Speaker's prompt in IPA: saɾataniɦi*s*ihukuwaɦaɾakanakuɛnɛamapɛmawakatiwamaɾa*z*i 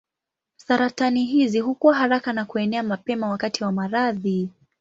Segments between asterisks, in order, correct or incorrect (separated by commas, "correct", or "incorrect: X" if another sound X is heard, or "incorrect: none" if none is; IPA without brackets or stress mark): incorrect: z, incorrect: ð